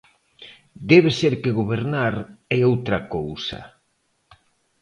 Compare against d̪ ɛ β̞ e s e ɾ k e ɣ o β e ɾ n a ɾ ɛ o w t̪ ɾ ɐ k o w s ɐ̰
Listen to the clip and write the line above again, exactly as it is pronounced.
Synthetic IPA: d̪ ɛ β̞ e s e ɾ k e ɣ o β e ɾ n a ɾ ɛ o w t̪ ɾ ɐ k o w s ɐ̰